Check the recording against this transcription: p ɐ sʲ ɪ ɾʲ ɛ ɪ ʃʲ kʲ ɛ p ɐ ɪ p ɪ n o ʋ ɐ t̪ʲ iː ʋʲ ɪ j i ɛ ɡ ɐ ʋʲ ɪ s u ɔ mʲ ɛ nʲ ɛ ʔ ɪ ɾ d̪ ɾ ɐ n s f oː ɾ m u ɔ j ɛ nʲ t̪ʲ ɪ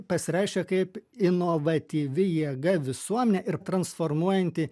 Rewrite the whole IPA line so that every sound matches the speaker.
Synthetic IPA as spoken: p ɐ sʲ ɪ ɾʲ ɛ ɪ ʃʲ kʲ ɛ k ɐ ɪ p ɪ n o ʋ ɐ t̪ʲ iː ʋʲ ɪ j i ɛ ɡ ɐ ʋʲ ɪ s u ɔ mʲ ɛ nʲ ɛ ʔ ɪ ɾ t̪ ɾ ɐ n s f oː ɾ m u ɔ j ɛ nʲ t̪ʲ ɪ